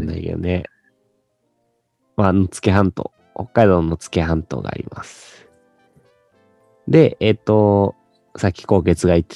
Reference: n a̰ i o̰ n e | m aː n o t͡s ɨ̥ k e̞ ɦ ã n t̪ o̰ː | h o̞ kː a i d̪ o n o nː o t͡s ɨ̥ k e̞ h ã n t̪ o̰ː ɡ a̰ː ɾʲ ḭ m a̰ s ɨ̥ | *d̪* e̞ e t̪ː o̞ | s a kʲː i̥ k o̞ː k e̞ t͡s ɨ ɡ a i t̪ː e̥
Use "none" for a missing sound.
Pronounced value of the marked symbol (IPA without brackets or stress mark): d̪